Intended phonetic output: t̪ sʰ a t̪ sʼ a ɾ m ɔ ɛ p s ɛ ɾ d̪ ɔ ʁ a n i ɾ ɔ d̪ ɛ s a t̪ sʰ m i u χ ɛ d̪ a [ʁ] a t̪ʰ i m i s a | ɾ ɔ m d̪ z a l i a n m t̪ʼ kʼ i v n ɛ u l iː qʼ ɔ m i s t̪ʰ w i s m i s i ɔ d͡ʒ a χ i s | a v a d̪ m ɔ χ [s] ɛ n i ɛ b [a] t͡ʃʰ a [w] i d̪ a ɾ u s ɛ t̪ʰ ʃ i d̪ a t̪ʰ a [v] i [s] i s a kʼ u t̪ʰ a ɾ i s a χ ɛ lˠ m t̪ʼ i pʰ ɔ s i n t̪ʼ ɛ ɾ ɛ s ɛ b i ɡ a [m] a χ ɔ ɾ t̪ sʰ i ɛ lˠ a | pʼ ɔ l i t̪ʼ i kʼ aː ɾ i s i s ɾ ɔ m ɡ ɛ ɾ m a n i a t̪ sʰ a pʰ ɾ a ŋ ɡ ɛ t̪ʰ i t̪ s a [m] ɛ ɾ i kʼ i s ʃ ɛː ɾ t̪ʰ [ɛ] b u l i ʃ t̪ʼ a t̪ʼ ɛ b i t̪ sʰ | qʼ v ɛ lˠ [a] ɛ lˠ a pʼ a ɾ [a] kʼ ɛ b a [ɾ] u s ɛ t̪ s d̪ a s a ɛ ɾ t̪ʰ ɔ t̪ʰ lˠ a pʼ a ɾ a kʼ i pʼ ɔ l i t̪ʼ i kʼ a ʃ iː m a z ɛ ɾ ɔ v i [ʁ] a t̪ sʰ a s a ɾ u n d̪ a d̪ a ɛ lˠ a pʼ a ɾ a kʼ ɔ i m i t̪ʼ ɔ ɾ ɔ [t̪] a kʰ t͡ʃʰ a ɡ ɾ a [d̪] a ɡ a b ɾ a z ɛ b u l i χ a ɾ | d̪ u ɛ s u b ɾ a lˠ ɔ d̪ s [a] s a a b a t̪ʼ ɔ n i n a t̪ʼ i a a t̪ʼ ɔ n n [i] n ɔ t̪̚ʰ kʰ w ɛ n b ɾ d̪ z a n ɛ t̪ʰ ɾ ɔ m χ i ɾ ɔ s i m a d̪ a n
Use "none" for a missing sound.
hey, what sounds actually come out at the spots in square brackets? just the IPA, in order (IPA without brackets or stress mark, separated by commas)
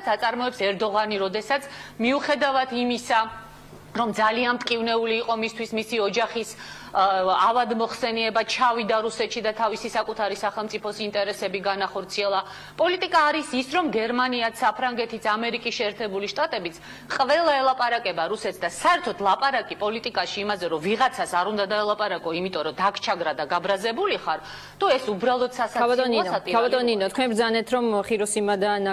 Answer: v, s, a, v, v, s, n, m, ɛ, a, a, ɾ, ʁ, d̪, d̪, a, i